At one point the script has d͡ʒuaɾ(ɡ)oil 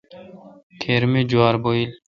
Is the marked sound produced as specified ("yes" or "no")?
no